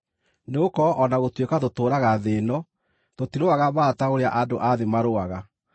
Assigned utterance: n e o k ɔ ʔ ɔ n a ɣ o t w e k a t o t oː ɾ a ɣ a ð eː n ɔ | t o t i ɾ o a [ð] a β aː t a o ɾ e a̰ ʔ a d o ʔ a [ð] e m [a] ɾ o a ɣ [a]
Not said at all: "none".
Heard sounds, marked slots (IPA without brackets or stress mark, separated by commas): ɣ, ð, a, a